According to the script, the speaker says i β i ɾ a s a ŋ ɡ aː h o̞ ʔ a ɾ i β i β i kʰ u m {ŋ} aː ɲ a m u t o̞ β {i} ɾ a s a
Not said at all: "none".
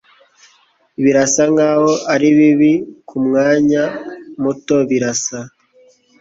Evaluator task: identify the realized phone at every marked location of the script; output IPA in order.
ŋ, i

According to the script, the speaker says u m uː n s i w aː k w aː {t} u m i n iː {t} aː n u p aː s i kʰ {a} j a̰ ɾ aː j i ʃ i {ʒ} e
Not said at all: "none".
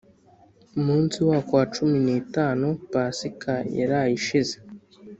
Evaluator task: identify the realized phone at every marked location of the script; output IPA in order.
t͡ʃ, t, a, z

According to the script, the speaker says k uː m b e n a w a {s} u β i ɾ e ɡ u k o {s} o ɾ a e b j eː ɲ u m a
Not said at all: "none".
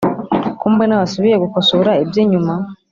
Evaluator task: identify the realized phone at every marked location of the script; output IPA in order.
s, s

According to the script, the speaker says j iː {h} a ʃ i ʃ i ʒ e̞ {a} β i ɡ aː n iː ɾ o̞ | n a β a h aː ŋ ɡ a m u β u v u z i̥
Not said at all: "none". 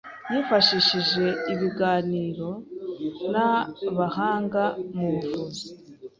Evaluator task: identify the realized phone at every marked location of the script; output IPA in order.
f, i

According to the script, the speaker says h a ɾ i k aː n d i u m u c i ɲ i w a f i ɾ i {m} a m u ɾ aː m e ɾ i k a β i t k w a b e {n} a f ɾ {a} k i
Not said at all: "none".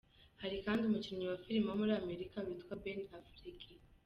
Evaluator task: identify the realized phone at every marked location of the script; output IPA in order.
m, n, i

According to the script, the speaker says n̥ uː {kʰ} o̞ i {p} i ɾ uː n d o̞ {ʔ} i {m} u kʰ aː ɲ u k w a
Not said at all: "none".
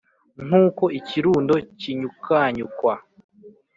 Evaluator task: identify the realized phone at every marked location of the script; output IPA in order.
k, c, c, ɲ

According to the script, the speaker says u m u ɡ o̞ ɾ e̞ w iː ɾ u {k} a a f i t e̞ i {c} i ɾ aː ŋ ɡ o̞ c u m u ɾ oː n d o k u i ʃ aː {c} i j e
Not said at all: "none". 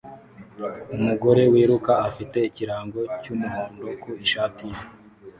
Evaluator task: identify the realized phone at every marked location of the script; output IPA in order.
k, c, t

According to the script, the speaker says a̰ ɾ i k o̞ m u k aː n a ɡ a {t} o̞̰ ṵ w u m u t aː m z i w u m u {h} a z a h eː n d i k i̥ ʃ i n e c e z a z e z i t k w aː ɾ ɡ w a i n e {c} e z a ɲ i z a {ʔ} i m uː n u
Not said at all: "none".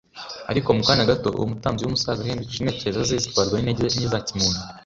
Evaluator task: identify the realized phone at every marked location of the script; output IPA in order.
t, s, ɟ, c

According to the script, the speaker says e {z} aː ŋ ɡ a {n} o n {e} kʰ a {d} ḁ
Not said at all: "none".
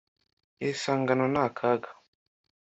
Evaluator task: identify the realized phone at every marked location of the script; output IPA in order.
s, n, a, ɡ

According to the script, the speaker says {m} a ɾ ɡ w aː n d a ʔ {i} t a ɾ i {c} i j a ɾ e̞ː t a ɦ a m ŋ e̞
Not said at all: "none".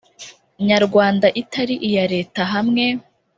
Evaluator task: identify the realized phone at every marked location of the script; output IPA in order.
ɲ, i, ʔ

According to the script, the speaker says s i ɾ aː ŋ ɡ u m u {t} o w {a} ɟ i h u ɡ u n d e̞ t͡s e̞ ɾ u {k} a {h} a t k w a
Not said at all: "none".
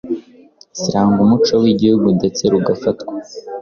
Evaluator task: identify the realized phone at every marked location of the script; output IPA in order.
t͡ʃ, i, ɡ, f

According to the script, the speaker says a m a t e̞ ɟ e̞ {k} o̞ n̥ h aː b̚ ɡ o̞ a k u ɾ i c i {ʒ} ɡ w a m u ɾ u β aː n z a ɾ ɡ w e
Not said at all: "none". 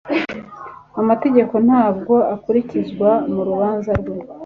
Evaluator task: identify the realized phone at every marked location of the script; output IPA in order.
k, z

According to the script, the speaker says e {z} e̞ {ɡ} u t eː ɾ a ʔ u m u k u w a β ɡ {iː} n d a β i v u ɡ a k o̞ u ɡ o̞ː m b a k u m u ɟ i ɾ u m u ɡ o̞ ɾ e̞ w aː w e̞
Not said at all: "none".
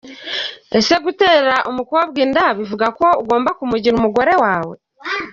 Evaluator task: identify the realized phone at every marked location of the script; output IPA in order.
s, ɡ, iː

